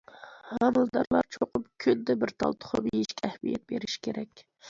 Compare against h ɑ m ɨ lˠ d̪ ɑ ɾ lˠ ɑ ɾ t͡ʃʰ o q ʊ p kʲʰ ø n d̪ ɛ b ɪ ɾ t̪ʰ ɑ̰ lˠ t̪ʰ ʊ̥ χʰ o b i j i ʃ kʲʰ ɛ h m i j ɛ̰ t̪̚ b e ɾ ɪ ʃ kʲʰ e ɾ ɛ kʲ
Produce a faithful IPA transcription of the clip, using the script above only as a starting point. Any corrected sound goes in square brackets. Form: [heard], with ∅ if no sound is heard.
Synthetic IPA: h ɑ m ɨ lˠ d̪ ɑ ɾ lˠ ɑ ɾ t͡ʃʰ o q ʊ p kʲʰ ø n d̪ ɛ b ɪ ɾ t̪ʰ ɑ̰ lˠ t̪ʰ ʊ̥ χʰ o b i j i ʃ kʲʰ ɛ h m i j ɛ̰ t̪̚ b e ɾ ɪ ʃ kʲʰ e ɾ ɛ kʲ